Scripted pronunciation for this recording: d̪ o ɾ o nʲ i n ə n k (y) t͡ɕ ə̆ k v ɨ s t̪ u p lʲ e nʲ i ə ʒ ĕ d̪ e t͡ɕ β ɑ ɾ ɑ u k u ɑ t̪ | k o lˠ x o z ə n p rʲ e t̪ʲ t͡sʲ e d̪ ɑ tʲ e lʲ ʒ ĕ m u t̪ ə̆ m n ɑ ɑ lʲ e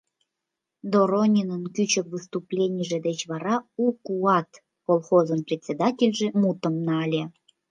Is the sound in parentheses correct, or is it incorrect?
correct